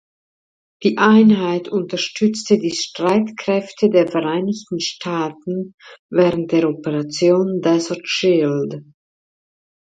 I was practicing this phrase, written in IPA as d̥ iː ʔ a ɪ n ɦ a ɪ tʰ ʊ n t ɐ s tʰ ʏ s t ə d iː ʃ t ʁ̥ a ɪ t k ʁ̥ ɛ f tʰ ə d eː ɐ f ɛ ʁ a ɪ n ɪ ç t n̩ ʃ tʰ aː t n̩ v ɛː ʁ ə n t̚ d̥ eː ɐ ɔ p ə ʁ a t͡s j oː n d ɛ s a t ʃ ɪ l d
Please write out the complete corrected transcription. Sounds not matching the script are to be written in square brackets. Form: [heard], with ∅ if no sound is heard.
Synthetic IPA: d̥ iː ʔ a ɪ n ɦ a ɪ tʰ ʊ n t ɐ [ʃ] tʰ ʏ [t͡s] t ə d iː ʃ t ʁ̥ a ɪ t k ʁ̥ ɛ f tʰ ə d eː ɐ f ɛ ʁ a ɪ n ɪ ç t n̩ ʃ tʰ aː t n̩ v ɛː ʁ ə n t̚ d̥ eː ɐ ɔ p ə ʁ a t͡s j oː n d ɛ s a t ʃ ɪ l d